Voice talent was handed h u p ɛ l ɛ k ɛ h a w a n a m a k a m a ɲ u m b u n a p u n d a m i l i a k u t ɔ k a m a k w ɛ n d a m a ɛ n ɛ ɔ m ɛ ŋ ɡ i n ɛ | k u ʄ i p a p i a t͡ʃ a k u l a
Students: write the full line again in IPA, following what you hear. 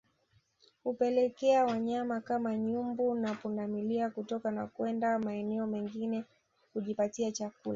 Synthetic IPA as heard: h u p ɛ l ɛ k ɛ a w a ɲ a m a k a m a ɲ u m b u n a p u n d a m i l i a k u t ɔ k a n a k w ɛ n d a m a ɛ n ɛ ɔ m ɛ ŋ ɡ i n ɛ | k u ʄ i p a t i a t͡ʃ a k u l a